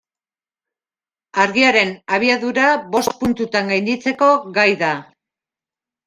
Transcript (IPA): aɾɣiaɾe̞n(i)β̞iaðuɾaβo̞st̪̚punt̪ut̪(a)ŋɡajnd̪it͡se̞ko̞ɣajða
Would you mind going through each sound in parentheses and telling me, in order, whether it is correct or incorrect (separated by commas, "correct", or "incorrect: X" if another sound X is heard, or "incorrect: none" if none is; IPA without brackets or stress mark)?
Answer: incorrect: a, correct